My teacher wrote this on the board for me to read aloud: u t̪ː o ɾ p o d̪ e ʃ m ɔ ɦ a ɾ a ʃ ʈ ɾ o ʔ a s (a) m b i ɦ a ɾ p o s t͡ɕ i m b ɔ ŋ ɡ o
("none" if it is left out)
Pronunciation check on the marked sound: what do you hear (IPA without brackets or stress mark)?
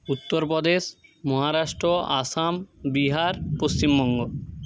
a